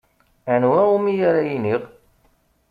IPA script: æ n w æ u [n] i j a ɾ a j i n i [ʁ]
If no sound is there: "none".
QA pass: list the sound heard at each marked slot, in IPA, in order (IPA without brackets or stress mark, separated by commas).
m, ʁ